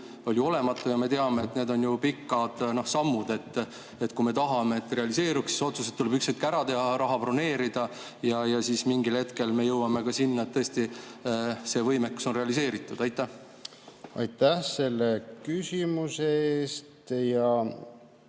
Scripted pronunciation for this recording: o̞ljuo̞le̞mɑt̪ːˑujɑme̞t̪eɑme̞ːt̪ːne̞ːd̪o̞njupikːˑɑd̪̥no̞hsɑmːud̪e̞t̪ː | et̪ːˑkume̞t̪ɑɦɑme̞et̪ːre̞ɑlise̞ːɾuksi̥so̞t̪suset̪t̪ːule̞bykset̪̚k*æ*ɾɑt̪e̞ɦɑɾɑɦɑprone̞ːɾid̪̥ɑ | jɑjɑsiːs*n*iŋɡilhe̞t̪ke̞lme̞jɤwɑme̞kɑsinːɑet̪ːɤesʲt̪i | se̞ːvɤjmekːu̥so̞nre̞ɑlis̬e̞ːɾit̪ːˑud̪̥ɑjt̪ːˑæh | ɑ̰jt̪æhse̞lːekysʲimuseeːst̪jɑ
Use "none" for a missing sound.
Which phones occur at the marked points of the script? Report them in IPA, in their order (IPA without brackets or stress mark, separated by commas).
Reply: æ, m